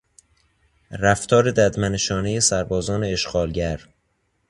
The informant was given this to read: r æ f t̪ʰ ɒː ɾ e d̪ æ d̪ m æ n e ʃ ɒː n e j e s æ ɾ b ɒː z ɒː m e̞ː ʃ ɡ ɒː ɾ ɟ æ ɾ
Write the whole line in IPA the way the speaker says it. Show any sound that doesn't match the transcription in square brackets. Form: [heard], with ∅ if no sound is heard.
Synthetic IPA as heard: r æ f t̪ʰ ɒː ɾ e d̪ æ d̪ m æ n e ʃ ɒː n e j e s æ ɾ b ɒː z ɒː [n] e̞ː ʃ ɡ ɒː [l] ɟ æ ɾ